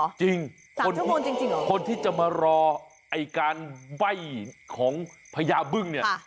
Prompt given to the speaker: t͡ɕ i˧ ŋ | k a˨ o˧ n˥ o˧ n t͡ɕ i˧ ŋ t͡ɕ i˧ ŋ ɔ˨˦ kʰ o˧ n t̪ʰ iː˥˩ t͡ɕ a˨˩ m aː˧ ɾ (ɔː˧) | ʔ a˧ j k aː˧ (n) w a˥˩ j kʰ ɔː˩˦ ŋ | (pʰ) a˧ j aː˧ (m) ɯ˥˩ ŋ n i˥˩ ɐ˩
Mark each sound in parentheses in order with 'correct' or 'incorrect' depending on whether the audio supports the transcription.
correct, correct, correct, incorrect

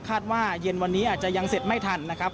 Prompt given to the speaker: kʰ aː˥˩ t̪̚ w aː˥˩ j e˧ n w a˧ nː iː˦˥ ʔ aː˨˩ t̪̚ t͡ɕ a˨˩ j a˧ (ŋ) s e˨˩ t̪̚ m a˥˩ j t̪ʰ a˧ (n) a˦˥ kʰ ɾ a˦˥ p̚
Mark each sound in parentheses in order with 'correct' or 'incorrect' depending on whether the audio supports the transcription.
correct, incorrect

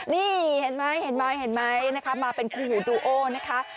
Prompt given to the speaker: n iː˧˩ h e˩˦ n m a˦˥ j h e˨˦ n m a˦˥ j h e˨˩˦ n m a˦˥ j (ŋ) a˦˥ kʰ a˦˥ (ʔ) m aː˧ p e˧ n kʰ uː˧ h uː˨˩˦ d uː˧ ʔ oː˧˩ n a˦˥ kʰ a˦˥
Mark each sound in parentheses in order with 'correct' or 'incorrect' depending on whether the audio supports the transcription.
incorrect, incorrect

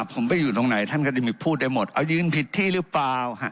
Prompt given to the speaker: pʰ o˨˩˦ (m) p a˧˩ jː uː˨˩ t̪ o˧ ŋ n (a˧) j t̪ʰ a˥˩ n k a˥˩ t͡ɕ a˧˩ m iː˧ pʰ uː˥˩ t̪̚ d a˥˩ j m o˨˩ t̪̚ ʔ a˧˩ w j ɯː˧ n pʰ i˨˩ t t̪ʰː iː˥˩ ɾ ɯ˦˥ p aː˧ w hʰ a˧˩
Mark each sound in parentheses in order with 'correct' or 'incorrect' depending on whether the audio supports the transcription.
correct, incorrect

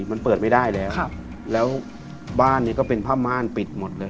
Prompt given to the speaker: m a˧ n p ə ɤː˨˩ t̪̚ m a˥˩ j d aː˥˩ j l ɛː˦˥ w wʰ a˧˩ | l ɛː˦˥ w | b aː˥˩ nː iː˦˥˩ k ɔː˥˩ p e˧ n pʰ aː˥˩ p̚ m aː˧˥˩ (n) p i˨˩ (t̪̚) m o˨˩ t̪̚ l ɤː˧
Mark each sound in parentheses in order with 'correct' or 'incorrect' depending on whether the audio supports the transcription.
correct, correct

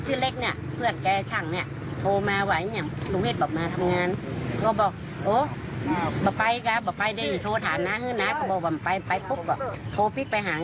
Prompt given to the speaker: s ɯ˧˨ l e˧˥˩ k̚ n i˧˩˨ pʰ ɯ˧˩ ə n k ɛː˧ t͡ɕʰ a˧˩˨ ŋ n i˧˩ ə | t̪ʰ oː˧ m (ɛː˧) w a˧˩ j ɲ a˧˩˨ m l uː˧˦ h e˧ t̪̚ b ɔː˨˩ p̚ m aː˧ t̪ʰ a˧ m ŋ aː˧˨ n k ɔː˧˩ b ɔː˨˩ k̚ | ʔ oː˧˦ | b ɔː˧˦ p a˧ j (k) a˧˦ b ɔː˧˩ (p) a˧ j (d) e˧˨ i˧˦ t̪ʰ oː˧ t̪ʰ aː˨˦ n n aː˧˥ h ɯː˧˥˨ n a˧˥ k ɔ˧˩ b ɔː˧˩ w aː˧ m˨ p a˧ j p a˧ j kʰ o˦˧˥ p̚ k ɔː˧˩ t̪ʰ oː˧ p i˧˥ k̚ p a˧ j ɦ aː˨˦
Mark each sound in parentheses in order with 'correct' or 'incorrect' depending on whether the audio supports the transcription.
incorrect, correct, correct, correct

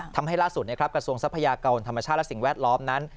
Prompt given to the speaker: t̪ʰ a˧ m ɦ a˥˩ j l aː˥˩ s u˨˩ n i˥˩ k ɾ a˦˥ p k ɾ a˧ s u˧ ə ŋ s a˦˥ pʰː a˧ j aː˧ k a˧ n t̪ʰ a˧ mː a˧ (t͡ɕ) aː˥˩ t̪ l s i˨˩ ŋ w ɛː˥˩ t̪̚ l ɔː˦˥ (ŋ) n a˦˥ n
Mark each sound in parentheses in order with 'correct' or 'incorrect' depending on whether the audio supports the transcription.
incorrect, incorrect

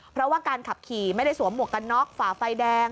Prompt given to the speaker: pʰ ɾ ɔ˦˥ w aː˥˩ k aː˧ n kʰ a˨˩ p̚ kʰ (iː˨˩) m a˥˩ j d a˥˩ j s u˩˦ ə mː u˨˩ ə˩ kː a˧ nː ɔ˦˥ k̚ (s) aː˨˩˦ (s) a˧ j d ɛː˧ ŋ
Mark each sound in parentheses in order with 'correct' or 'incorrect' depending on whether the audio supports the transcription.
correct, incorrect, incorrect

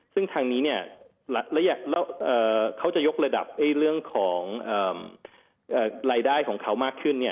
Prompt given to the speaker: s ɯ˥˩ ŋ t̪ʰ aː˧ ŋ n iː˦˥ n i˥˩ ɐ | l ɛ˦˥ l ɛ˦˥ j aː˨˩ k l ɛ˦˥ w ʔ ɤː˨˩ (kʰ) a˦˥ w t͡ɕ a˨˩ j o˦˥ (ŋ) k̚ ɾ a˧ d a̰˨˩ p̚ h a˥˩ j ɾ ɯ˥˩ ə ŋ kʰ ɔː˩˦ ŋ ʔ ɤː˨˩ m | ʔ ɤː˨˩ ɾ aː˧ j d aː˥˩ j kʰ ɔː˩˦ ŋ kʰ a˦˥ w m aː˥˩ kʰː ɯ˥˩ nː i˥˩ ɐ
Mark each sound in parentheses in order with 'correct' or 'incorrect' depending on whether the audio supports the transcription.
correct, incorrect

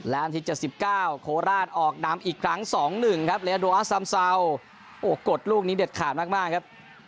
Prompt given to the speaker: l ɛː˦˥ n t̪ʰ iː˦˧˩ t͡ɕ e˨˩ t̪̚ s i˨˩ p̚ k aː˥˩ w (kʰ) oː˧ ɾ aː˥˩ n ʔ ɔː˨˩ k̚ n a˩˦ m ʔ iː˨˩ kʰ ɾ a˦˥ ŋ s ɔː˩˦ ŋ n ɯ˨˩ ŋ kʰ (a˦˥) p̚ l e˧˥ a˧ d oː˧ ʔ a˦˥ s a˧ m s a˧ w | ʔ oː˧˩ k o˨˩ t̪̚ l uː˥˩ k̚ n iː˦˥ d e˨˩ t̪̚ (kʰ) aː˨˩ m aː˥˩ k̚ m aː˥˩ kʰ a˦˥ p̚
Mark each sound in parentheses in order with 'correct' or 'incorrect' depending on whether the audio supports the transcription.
correct, correct, correct

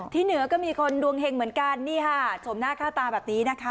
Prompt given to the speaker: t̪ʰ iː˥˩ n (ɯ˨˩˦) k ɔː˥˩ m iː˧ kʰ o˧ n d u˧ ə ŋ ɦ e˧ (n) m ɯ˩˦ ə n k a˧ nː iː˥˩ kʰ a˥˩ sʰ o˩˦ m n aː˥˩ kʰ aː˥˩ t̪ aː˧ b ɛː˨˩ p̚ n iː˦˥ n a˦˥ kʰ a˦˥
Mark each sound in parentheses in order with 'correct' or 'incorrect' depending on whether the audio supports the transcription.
correct, incorrect

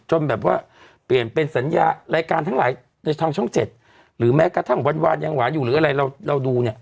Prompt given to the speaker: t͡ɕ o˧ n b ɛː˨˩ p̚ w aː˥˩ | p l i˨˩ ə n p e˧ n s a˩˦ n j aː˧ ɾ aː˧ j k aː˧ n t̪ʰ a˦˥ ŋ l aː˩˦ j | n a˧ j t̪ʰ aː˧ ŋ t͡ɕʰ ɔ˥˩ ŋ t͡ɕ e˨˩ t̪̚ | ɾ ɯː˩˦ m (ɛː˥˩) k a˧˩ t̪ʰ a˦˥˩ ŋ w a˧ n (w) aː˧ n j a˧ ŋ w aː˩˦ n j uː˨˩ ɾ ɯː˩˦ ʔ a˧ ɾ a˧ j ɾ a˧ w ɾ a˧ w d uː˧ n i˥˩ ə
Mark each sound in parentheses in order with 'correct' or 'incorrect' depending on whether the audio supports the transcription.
incorrect, correct

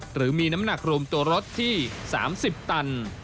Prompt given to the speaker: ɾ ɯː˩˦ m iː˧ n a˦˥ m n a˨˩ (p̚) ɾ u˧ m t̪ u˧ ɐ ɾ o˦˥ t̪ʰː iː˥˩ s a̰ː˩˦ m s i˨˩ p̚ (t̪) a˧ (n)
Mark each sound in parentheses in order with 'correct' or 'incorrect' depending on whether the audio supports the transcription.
incorrect, correct, correct

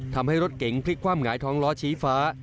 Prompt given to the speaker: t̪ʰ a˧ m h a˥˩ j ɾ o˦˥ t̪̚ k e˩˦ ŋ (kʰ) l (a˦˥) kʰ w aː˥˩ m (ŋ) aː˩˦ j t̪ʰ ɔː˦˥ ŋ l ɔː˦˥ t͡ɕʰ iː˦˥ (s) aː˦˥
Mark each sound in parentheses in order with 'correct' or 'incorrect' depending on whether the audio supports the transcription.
incorrect, incorrect, correct, incorrect

